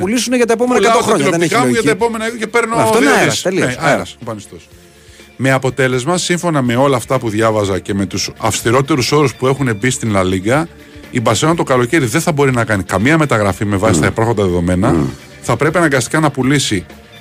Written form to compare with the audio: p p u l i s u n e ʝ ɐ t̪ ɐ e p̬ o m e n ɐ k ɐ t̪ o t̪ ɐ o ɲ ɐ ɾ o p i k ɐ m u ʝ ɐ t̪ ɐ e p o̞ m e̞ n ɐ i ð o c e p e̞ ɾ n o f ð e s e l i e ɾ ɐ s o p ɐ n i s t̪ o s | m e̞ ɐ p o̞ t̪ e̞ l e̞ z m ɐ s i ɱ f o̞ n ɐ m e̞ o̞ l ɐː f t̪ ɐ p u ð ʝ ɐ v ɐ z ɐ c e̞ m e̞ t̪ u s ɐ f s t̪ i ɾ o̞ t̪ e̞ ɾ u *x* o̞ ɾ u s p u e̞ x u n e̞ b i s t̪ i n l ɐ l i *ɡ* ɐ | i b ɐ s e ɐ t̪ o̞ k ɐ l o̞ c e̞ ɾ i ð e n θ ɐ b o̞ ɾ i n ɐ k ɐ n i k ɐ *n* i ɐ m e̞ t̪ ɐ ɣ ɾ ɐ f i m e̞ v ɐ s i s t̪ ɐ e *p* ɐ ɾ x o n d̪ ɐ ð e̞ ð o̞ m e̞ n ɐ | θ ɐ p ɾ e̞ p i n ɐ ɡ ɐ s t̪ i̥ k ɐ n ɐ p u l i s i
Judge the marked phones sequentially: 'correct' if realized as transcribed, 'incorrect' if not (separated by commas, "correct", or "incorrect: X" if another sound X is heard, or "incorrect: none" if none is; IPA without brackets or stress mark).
incorrect: s, correct, incorrect: m, correct